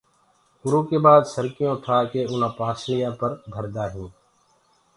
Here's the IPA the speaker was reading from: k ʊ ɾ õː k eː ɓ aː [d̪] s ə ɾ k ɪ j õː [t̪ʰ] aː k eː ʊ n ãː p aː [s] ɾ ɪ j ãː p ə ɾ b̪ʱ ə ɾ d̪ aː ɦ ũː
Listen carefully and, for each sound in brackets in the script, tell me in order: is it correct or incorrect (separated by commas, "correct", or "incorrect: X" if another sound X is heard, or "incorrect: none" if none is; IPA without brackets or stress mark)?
correct, correct, correct